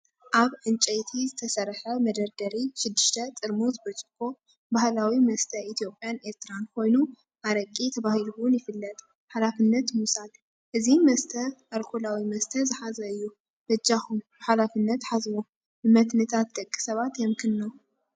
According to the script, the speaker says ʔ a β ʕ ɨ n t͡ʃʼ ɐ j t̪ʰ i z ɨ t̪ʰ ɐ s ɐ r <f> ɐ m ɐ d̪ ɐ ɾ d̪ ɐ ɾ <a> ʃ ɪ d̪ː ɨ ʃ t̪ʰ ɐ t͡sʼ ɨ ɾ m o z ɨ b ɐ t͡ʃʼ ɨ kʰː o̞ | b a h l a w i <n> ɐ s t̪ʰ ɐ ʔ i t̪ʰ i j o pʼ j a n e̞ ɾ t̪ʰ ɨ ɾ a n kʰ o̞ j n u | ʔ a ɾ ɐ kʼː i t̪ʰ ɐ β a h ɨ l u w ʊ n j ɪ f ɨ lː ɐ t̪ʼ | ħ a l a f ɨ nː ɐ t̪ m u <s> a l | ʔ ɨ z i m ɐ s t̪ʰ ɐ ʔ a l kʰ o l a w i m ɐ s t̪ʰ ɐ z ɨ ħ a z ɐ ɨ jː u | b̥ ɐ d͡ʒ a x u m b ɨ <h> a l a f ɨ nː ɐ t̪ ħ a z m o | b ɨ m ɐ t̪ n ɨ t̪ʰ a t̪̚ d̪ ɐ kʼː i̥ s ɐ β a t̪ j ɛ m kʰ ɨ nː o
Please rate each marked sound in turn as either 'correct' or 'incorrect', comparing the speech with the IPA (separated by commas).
incorrect, incorrect, incorrect, correct, incorrect